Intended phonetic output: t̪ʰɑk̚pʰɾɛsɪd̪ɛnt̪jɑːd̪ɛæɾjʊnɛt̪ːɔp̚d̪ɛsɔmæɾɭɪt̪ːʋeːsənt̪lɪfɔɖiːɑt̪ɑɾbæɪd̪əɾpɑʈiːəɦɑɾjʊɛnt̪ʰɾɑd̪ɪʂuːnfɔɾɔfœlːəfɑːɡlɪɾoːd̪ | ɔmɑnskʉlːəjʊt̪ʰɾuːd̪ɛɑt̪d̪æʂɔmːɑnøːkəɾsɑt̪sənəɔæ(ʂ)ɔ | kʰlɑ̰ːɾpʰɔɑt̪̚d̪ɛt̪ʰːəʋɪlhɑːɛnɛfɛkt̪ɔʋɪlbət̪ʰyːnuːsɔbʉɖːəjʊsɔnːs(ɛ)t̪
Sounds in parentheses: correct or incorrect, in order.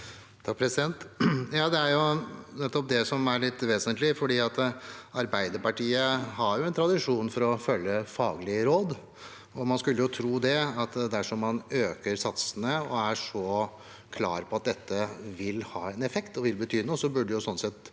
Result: correct, correct

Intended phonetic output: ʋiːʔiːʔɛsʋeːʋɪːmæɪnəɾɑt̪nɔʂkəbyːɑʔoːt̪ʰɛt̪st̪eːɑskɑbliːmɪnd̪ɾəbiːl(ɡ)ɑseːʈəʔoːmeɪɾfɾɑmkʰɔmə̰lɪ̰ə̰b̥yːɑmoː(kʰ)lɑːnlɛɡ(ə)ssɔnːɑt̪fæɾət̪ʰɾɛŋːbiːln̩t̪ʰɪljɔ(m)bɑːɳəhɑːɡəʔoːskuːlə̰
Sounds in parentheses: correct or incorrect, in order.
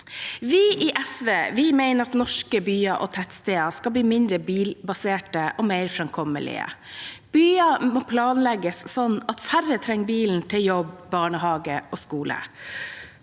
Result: incorrect, incorrect, correct, incorrect

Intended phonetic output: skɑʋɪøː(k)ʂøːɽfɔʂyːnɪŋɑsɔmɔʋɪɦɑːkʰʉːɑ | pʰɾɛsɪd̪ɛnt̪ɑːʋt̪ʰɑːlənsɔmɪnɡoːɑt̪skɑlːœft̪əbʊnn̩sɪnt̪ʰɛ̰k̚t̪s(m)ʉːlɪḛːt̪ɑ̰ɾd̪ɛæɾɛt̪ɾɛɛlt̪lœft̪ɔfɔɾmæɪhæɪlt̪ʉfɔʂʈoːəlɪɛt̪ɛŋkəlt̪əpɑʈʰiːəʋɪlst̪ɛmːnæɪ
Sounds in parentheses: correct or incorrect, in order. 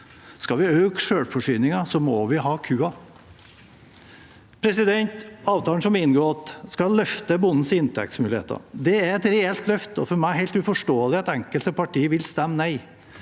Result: correct, correct

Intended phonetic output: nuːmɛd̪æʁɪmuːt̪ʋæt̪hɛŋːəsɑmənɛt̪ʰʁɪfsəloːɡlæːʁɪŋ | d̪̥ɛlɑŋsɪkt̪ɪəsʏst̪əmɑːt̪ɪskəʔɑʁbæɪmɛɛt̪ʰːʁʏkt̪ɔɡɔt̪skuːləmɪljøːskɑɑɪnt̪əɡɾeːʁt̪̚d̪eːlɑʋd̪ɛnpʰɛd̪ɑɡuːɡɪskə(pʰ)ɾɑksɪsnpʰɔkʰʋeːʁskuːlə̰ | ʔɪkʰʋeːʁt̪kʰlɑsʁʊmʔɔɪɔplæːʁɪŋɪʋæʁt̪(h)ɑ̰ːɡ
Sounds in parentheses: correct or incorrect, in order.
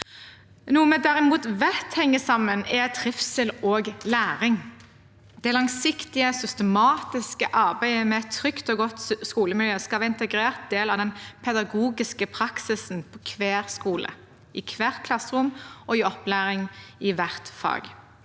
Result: correct, incorrect

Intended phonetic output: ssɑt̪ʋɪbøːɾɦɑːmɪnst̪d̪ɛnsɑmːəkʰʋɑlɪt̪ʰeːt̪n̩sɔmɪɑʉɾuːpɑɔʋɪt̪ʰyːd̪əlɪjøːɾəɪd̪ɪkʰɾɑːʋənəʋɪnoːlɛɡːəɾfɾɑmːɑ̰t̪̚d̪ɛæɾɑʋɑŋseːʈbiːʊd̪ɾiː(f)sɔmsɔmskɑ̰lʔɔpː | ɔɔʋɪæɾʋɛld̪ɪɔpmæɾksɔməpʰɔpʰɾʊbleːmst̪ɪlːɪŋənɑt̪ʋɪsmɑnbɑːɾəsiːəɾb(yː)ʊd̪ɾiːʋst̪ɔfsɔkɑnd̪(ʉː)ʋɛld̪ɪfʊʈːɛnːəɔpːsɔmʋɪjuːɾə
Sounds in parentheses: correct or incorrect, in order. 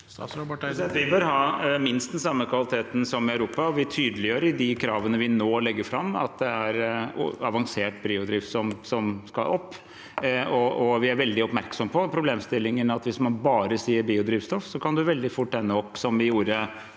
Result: correct, incorrect, incorrect

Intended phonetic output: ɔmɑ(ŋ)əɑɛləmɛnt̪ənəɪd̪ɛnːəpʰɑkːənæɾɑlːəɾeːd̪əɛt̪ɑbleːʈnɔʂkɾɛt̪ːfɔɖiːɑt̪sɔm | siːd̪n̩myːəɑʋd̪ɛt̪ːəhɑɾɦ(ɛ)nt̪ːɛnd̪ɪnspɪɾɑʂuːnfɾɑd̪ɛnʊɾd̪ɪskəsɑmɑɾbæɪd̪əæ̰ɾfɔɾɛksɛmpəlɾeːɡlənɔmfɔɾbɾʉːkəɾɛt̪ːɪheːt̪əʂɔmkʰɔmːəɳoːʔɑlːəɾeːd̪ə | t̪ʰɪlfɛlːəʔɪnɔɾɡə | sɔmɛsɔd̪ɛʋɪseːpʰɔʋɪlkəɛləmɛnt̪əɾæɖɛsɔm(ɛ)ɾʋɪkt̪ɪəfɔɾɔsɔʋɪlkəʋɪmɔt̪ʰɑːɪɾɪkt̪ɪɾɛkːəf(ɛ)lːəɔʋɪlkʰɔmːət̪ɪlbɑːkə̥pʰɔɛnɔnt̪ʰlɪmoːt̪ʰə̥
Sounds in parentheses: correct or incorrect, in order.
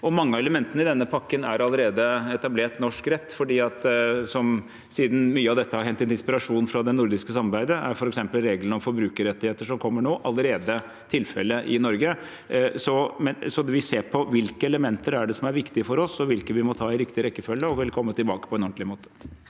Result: incorrect, correct, incorrect, incorrect

